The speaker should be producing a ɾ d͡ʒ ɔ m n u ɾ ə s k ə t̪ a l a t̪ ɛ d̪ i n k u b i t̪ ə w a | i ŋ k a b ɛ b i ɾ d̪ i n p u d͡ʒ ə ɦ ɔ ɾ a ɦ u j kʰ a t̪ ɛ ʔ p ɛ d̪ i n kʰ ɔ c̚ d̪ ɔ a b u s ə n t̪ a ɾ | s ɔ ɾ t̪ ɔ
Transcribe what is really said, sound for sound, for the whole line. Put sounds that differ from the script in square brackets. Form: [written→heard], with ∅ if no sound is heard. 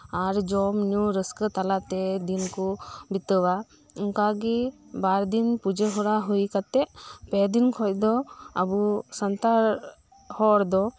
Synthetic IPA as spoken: a ɾ d͡ʒ ɔ m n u ɾ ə s k ə t̪ a l a t̪ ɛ d̪ i n k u b i t̪ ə w a | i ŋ k a [b→ɡ] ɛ b [i→a] ɾ d̪ i n p u d͡ʒ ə ɦ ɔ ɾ a ɦ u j [kʰ→k] a t̪ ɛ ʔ p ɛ d̪ i n kʰ ɔ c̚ d̪ ɔ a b u s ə n t̪ a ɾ | [s→h] ɔ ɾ [t̪→d̪] ɔ

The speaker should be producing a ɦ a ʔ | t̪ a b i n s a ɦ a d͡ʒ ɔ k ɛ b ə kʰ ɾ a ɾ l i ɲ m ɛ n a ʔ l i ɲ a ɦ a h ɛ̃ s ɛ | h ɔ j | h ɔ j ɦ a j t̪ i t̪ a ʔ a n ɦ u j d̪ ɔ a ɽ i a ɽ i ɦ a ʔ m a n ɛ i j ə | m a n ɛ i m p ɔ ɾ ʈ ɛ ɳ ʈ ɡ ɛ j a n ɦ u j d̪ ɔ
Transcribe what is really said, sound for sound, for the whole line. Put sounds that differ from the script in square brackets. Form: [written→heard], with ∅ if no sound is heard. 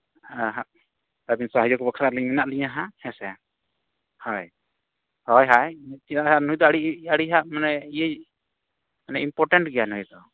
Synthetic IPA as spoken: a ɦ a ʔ | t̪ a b i n s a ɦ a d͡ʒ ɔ k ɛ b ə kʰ ɾ a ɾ l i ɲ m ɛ n a ʔ l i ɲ a ɦ a h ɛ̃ s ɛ | h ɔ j | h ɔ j ɦ a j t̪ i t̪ a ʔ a n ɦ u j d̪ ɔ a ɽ i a ɽ i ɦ a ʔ m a n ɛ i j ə | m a n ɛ i m p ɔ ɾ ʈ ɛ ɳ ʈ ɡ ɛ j a n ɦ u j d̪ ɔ

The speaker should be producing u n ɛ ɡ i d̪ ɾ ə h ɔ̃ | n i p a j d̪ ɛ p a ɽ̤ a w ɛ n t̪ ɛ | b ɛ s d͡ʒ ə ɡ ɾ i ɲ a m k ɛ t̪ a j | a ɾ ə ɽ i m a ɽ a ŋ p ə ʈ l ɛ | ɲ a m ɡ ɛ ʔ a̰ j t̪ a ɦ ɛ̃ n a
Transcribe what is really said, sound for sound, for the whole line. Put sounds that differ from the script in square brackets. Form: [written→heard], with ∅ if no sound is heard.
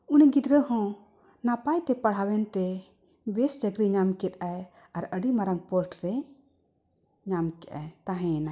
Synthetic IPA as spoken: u n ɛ ɡ i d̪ ɾ ə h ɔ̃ | n [i→a] p a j [d̪→t̪] ɛ p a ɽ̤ a w ɛ n t̪ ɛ | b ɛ s d͡ʒ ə ɡ ɾ i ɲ a m k ɛ t̪ a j | a ɾ ə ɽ i m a [ɽ→ɾ] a ŋ p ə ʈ [l→ɾ] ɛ | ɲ a m [ɡ→k] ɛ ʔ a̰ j t̪ a ɦ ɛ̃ n a

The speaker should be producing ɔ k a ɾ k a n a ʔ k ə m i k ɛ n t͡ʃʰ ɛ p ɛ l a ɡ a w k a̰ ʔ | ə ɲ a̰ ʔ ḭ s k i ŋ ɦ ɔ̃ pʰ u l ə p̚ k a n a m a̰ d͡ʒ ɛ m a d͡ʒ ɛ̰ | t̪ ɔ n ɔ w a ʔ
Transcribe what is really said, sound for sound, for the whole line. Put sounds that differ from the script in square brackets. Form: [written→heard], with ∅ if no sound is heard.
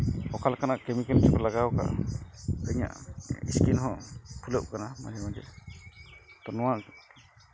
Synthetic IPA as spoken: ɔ k a [ɾ→l] k a n a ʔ k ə m i k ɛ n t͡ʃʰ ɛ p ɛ l a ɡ a w k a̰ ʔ | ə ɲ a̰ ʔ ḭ s k i [ŋ→n] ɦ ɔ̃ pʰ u l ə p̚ k a n a m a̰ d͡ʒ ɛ m a d͡ʒ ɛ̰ | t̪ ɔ n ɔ w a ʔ

